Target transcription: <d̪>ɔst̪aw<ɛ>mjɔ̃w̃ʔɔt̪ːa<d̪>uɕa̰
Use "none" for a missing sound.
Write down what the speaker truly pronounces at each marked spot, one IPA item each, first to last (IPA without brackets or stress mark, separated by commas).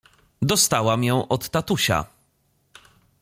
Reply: d̪, a, t̪